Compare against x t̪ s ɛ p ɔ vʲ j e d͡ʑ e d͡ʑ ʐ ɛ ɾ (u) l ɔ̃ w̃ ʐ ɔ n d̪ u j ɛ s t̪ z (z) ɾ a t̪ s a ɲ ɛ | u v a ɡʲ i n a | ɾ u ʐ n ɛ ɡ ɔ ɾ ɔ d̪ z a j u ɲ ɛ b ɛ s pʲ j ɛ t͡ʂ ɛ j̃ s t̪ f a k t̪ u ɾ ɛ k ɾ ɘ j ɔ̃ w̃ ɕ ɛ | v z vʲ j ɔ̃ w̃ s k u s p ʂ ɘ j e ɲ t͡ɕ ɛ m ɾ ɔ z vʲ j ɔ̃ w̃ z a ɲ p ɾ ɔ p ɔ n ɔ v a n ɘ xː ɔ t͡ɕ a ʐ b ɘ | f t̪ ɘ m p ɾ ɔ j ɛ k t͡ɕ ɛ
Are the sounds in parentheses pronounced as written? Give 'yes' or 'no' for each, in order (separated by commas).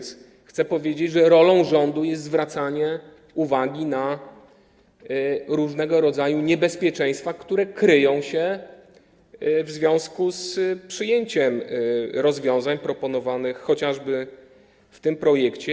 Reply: no, no